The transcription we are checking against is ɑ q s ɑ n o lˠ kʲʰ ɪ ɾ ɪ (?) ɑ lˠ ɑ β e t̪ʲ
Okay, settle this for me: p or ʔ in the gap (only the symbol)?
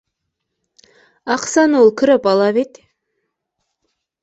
p